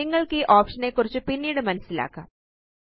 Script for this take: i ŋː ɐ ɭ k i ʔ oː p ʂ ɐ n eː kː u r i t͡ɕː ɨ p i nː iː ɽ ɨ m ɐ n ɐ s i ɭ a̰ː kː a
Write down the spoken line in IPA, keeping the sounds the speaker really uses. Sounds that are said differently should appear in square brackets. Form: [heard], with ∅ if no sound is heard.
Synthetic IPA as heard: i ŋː ɐ ɭ k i ʔ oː p ʂ ɐ n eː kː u r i t͡ɕː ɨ p i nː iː ɽ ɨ m ɐ n ɐ s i [l] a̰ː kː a